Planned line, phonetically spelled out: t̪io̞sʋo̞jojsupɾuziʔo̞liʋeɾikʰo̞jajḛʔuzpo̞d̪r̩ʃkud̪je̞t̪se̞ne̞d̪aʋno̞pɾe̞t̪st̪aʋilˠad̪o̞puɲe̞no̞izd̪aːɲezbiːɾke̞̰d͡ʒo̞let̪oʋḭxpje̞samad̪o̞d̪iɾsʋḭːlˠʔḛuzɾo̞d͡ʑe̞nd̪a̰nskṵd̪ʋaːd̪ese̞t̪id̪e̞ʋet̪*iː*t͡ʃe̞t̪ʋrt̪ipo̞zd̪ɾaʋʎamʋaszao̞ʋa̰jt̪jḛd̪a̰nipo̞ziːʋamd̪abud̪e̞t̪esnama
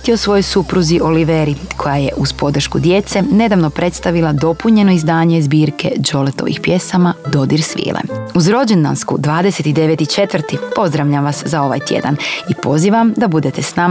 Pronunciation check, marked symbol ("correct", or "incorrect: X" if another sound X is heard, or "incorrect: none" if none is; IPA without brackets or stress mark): incorrect: i